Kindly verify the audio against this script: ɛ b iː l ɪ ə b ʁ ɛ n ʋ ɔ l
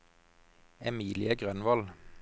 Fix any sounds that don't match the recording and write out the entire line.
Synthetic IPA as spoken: ɛ m iː l ɪ ə ɡ ʁ œ n ʋ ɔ l